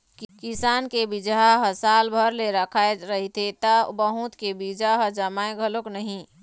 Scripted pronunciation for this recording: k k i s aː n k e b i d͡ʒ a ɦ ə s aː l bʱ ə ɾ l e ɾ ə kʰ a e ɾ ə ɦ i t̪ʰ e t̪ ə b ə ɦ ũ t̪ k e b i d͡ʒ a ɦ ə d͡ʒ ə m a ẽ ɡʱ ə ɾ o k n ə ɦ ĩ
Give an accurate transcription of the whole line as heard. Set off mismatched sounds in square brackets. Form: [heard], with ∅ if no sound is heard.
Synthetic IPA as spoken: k k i s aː n k e b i d͡ʒ a ɦ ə s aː l bʱ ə ɾ l e ɾ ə kʰ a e ɾ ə ɦ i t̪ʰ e t̪ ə b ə ɦ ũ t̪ k e b i d͡ʒ a ɦ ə d͡ʒ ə m a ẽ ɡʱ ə [l] o k n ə ɦ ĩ